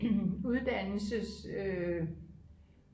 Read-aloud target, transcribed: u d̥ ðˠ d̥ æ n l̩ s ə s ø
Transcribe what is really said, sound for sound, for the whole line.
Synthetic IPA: u ðˠ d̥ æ n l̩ s ə s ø